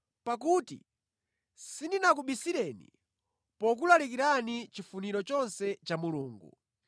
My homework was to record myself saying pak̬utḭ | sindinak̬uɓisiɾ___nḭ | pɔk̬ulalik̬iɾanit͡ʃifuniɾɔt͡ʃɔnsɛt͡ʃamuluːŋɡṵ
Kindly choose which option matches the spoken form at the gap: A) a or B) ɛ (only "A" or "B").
B